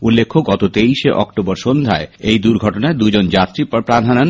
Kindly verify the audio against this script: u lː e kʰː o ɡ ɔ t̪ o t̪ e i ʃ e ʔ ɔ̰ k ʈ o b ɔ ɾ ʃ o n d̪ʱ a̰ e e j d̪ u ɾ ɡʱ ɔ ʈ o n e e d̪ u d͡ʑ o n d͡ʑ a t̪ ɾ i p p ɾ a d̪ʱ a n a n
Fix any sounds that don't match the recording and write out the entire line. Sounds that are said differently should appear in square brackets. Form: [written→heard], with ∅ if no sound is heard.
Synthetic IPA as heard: u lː e kʰː o ɡ ɔ t̪ o t̪ e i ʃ e ʔ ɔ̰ k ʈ o b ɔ ɾ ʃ o n d̪ʱ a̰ e e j d̪ u ɾ ɡʱ ɔ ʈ o n [e→a] e d̪ u d͡ʑ o n d͡ʑ a t̪ ɾ i p p ɾ a d̪ʱ a n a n

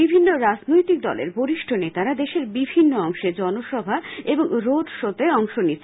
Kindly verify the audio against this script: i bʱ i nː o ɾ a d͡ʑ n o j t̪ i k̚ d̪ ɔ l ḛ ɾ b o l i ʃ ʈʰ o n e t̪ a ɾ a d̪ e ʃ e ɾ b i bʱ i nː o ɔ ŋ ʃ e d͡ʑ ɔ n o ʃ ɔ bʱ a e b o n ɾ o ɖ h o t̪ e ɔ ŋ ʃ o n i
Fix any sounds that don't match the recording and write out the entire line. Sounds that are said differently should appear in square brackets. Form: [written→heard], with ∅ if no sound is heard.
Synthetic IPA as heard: i bʱ i nː o ɾ a d͡ʑ n o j t̪ i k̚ d̪ ɔ l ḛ ɾ b o [l→ɾ] i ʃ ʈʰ o n e t̪ a ɾ a d̪ e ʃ e ɾ b i bʱ i nː o ɔ ŋ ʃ e d͡ʑ ɔ n o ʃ ɔ bʱ a e b o [n→ŋ] ɾ o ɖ [h→ʃ] o t̪ e ɔ ŋ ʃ o n i

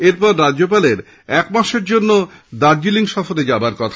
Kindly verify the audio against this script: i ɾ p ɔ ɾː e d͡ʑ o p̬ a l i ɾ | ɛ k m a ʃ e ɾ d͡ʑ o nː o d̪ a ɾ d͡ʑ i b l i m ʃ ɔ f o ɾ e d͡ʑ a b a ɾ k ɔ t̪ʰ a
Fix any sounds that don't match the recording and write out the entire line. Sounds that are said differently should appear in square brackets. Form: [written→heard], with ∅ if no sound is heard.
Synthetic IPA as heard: [i→e] ɾ p ɔ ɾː [e→a] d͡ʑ o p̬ a l [i→e] ɾ | ɛ k m a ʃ e ɾ d͡ʑ o nː o d̪ a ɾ d͡ʑ i [b→∅] l i [m→ŋ] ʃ ɔ f o ɾ e d͡ʑ a b a ɾ k ɔ t̪ʰ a

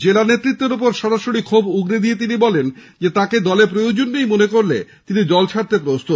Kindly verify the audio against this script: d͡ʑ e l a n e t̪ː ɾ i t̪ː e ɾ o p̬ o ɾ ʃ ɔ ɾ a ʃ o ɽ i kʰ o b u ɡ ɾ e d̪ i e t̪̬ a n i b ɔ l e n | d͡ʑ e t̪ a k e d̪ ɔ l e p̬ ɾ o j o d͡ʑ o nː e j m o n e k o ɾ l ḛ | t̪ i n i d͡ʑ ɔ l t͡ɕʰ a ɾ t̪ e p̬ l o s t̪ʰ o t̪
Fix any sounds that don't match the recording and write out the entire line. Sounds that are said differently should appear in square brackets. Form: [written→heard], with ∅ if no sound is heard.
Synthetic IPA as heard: d͡ʑ e l a n e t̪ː ɾ i t̪ː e ɾ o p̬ o ɾ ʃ ɔ ɾ a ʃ o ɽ i kʰ o b u ɡ ɾ e d̪ i e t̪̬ [a→i] n i b ɔ l e n | d͡ʑ e t̪ a k e d̪ ɔ l e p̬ ɾ o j o d͡ʑ o nː e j m o n e k o ɾ l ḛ | t̪ i n i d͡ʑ ɔ l t͡ɕʰ a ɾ t̪ e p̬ [l→ɾ] o s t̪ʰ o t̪

